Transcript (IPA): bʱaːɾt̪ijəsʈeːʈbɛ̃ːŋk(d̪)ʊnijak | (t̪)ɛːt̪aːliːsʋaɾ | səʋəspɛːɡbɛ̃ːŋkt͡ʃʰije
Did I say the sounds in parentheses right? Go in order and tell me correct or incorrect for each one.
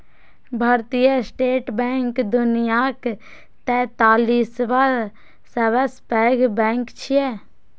correct, correct

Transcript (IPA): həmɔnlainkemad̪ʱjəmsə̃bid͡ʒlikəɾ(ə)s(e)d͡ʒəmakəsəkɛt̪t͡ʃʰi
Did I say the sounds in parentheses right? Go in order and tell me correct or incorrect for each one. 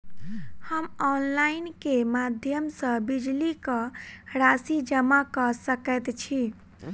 incorrect: a, incorrect: i

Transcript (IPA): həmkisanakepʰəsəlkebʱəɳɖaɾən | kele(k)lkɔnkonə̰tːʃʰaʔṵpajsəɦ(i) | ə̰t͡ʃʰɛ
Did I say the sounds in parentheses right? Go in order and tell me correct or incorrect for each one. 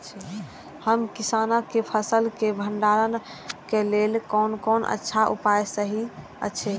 incorrect: none, correct

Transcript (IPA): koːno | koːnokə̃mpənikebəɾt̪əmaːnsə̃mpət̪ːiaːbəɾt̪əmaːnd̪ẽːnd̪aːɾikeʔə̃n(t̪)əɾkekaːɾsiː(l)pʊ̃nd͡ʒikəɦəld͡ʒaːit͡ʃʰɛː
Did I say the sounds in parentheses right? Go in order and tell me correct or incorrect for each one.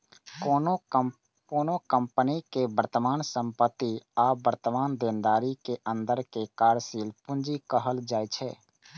incorrect: d̪, correct

